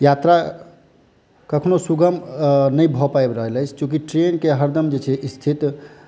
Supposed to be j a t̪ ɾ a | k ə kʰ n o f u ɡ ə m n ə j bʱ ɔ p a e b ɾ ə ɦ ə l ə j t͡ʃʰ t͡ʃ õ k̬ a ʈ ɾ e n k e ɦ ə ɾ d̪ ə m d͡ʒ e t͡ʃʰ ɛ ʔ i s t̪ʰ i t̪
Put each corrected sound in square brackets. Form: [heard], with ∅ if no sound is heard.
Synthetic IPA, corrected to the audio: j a t̪ ɾ a | k ə kʰ n o [s] u ɡ ə m n ə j bʱ ɔ p a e b ɾ ə ɦ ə l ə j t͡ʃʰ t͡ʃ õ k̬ [i] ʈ ɾ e n k e ɦ ə ɾ d̪ ə m d͡ʒ e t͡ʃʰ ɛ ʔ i s t̪ʰ i t̪